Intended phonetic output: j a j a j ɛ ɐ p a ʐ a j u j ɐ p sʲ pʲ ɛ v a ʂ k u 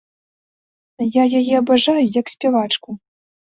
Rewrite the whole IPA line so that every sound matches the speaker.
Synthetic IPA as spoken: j a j a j ɛ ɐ b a ʐ a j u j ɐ k sʲ pʲ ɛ v a t͡ʂ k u